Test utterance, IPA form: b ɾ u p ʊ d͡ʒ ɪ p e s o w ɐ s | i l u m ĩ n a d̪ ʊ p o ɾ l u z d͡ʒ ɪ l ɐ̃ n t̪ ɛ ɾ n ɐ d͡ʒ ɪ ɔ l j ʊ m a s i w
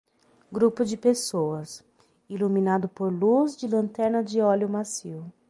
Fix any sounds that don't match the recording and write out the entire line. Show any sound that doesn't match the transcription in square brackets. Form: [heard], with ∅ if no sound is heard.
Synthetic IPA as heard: [ɡ] ɾ u p ʊ d͡ʒ ɪ p e s o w ɐ s | i l u m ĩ n a d̪ ʊ p o ɾ l u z d͡ʒ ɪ l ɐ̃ n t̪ ɛ ɾ n ɐ d͡ʒ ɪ ɔ l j ʊ m a s i w